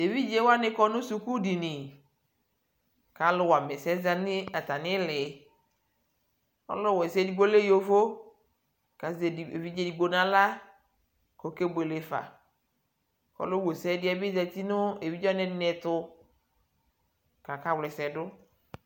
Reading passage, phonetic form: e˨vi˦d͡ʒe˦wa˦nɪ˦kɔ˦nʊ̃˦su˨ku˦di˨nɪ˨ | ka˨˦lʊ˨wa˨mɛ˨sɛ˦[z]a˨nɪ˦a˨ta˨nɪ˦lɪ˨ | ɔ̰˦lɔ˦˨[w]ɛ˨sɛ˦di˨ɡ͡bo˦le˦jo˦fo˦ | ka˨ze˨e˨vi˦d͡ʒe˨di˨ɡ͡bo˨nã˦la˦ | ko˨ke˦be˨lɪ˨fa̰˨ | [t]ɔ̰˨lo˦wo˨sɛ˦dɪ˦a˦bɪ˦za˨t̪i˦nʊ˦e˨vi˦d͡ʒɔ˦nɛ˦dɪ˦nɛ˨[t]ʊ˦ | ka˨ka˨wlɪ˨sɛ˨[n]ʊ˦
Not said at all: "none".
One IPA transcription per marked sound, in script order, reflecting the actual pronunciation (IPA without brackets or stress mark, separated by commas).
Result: z, w, k, t, d